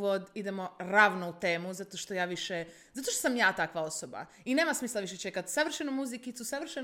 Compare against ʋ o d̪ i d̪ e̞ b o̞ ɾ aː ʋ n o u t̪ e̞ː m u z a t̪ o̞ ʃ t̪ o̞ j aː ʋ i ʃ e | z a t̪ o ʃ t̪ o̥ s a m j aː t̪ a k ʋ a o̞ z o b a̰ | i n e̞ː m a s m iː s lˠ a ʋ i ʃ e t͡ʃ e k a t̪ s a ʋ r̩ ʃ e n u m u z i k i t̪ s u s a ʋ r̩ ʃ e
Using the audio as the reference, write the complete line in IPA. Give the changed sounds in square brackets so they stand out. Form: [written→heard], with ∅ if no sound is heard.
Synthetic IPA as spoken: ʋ o d̪ i d̪ e̞ [b→m] o̞ ɾ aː ʋ n o u t̪ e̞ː m u z a t̪ o̞ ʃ t̪ o̞ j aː ʋ i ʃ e | z a t̪ o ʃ t̪ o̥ s a m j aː t̪ a k ʋ a o̞ [z→s] o b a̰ | i n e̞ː m a s m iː s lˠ a ʋ i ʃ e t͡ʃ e k a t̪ s a ʋ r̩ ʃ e n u m u z i k i t̪ s u s a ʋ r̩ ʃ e